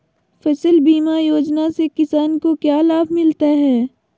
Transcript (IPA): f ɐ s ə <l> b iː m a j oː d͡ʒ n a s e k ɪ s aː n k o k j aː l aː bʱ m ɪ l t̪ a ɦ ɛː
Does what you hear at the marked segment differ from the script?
no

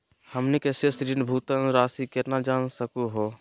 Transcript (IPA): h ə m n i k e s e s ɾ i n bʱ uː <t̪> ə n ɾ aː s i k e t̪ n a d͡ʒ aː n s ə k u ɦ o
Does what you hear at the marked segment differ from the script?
no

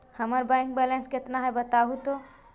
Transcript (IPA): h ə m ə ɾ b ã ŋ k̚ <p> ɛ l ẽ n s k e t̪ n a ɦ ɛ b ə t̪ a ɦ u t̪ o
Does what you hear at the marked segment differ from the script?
yes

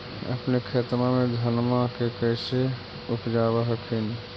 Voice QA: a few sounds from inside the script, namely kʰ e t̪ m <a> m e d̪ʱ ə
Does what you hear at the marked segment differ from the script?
no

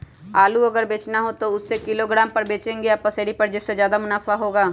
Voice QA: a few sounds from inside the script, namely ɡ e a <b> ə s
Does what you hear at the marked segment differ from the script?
yes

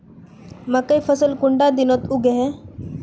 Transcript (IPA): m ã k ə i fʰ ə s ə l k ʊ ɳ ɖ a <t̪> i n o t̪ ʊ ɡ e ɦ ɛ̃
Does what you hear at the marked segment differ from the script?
yes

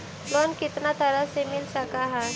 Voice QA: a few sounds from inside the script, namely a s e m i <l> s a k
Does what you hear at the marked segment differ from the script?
no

